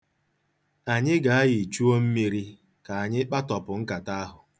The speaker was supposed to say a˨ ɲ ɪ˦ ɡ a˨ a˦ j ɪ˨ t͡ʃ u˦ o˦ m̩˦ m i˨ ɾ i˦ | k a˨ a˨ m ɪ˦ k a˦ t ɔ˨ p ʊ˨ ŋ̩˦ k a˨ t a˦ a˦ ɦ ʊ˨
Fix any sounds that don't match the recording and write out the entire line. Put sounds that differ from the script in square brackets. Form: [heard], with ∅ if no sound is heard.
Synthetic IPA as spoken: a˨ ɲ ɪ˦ ɡ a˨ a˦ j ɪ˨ t͡ʃ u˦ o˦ m̩˦ m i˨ ɾ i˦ | k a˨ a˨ [ɲ] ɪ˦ [k͡p] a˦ t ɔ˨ p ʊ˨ ŋ̩˦ k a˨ t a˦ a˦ ɦ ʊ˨

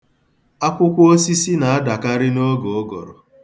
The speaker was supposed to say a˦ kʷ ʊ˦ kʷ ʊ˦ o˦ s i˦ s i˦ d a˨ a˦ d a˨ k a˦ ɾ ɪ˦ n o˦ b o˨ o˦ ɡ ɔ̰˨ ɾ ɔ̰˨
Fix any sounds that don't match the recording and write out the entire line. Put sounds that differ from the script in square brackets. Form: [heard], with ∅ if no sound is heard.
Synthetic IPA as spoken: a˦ kʷ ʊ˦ kʷ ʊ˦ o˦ s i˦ s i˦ [n] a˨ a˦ d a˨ k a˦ ɾ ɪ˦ n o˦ [ɡ] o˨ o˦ ɡ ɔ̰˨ ɾ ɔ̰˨

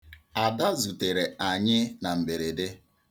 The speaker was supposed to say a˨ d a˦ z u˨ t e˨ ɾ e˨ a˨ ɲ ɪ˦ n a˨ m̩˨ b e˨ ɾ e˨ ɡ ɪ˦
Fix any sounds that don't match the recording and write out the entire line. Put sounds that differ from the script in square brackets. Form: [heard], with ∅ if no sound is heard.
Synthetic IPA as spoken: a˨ d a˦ z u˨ t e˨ ɾ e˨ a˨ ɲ ɪ˦ n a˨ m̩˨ b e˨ ɾ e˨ [d] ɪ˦

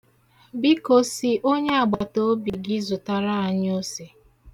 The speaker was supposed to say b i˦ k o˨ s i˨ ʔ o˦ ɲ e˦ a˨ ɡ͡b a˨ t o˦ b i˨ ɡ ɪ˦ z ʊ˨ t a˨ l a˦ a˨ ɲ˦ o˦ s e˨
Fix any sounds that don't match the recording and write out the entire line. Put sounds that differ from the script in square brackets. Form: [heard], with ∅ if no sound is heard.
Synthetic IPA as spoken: b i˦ k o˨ s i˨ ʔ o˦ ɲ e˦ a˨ ɡ͡b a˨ t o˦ b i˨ ɡ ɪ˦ z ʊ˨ t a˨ [ɾ] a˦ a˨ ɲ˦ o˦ s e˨

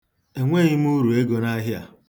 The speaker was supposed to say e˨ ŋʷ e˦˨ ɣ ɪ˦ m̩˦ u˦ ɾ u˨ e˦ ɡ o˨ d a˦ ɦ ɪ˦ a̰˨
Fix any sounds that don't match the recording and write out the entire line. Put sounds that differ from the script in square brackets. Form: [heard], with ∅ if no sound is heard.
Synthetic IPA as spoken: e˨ ŋʷ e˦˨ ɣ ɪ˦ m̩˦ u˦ ɾ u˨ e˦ ɡ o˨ [n] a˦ ɦ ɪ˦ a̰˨

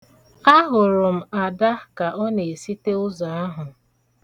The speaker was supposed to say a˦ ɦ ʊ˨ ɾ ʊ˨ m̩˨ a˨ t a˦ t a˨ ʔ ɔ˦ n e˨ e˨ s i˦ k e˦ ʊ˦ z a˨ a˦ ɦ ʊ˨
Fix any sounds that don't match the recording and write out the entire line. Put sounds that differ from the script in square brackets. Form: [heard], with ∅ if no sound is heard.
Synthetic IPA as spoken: a˦ ɦ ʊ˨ ɾ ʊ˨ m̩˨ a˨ [d] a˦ [k] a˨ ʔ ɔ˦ n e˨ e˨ s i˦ [t] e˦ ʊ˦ z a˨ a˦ ɦ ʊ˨

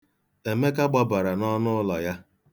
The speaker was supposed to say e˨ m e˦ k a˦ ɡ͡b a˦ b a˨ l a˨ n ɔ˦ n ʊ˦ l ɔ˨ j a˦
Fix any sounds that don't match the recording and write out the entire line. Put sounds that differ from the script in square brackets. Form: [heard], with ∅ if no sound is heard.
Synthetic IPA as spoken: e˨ m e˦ k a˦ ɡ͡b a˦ b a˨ [ɾ] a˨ n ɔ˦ n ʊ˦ l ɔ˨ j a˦

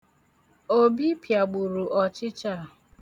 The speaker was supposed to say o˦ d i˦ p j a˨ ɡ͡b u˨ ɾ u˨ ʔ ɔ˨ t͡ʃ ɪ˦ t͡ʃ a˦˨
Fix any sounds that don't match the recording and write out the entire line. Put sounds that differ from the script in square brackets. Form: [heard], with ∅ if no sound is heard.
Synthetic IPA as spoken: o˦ [b] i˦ p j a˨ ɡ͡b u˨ ɾ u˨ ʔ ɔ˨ t͡ʃ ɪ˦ t͡ʃ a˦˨

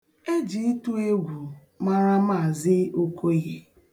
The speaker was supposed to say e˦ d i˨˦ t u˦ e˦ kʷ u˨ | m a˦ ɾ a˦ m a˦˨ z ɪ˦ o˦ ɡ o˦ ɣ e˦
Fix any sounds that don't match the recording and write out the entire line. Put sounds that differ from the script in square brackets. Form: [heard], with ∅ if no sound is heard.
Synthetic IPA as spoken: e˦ [d͡ʒ] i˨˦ t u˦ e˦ [ɡʷ] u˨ | m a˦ ɾ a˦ m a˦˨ z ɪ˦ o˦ [k] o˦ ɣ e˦

